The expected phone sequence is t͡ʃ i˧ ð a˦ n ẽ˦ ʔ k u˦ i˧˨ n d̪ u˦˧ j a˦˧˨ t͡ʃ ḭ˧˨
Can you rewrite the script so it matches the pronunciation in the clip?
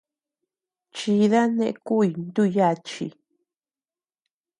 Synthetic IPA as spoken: t͡ʃ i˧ ð a˦ n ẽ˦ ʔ k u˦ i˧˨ n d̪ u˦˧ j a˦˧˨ t͡ʃ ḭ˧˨